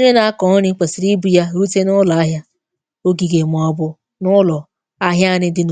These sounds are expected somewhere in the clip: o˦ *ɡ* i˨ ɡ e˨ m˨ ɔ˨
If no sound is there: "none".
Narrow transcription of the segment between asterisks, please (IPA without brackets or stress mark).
ɡ